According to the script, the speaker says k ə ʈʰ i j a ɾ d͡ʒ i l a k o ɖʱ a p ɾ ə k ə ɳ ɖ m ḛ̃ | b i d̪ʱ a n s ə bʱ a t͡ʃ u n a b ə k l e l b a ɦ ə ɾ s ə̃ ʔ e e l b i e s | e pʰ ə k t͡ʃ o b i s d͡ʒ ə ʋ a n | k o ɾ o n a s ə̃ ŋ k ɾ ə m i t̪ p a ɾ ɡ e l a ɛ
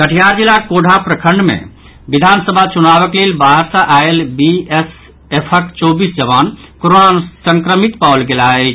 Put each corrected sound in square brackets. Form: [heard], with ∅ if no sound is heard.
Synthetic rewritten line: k ə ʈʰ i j a ɾ d͡ʒ i l a k o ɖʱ a p ɾ ə [kʰ] ə ɳ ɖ m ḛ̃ | b i d̪ʱ a n s ə bʱ a t͡ʃ u n a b ə k l e l b a ɦ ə ɾ s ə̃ ʔ [a] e l b i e s | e pʰ ə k t͡ʃ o b i s d͡ʒ ə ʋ a n | k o ɾ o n a s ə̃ ŋ k ɾ ə m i t̪ p a [l] ɡ e l a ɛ